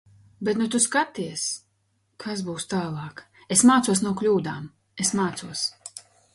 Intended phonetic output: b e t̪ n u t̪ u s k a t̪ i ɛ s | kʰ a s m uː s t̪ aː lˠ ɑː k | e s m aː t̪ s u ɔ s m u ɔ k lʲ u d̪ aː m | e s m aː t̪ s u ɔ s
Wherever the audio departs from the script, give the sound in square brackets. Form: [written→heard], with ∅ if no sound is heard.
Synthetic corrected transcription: b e t̪ n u t̪ u s k a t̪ i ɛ s | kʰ a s [m→b] uː s t̪ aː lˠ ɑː k | e s m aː t̪ s u ɔ s [m→n] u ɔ k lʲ [u→uː] d̪ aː m | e s m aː t̪ s u ɔ s